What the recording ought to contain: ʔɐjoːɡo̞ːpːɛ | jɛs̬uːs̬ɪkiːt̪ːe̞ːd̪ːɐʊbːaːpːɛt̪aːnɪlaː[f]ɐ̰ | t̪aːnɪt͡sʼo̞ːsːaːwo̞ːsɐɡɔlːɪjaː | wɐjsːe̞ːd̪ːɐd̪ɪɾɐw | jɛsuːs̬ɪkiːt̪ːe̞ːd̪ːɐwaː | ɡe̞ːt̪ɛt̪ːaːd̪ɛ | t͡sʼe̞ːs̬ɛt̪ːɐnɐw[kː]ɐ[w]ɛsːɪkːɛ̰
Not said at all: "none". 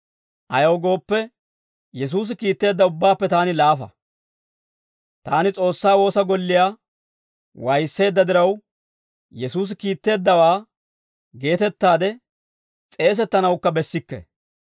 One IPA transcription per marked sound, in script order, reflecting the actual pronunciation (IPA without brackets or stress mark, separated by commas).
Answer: f, kː, b